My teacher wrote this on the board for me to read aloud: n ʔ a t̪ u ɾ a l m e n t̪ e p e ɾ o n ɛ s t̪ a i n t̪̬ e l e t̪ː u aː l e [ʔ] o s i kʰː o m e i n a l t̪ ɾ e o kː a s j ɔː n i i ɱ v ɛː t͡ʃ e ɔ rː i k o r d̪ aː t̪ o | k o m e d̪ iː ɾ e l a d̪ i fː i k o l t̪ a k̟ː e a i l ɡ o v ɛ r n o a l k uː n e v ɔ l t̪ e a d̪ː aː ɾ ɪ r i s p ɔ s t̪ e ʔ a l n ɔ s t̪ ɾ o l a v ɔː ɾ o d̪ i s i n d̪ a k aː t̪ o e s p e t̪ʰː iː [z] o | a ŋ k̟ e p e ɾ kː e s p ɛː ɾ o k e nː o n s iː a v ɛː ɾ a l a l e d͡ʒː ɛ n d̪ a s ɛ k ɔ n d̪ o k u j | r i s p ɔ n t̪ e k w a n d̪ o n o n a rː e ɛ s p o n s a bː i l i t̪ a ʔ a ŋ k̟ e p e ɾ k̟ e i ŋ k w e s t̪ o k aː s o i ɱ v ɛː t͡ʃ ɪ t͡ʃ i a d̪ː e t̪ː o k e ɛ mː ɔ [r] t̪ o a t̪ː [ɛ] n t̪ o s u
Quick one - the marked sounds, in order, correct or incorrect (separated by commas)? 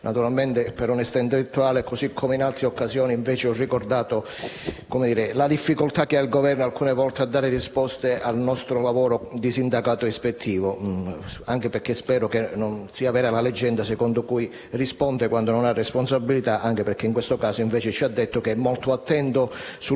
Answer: incorrect, incorrect, incorrect, correct